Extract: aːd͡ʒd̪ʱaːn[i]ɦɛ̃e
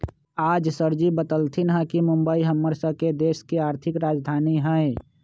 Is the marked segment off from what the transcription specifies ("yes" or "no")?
no